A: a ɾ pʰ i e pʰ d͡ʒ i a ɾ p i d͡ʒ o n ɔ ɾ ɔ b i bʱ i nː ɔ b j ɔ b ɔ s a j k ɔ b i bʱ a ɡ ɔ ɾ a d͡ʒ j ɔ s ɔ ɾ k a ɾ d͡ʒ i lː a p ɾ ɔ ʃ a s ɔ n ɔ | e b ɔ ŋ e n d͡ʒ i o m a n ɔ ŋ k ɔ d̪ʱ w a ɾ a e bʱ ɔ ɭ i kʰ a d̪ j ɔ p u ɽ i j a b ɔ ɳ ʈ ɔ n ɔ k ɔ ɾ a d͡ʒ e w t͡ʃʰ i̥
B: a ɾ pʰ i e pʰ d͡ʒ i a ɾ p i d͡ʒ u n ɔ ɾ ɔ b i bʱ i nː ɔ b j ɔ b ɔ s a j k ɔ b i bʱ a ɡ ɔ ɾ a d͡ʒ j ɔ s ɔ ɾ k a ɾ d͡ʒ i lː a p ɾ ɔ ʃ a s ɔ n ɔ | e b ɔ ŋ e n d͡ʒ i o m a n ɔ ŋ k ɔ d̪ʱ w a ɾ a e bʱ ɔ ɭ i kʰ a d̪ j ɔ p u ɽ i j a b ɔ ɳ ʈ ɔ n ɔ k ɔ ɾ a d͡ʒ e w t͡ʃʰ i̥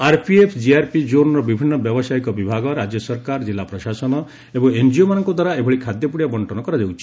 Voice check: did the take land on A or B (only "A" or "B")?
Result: A